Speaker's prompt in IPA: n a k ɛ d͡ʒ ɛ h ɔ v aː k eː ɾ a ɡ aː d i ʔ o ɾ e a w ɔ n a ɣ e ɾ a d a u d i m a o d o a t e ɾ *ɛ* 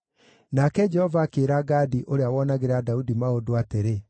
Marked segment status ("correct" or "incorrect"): incorrect